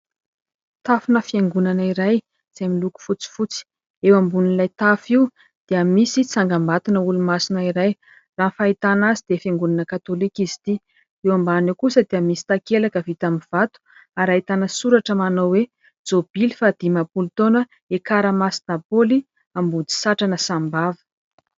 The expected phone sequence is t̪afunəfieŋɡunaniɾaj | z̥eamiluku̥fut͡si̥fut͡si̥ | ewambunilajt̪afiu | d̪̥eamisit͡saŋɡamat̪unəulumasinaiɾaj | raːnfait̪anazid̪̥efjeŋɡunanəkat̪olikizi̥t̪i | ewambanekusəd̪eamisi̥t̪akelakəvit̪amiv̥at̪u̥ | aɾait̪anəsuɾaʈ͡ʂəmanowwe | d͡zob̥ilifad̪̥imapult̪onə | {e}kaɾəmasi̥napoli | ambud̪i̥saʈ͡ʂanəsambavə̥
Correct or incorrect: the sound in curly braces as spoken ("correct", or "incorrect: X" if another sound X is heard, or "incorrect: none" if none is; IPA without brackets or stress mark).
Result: correct